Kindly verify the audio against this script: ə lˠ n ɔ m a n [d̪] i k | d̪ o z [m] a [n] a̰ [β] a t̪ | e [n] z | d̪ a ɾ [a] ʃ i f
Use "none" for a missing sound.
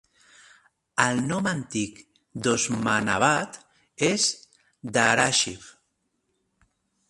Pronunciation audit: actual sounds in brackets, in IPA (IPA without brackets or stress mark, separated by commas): t̪, m, n, β, none, a